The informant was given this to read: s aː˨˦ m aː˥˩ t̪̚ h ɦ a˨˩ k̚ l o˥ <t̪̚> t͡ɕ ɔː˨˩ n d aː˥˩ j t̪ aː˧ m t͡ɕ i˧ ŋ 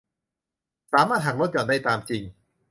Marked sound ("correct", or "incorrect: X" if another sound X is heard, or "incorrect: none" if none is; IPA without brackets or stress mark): correct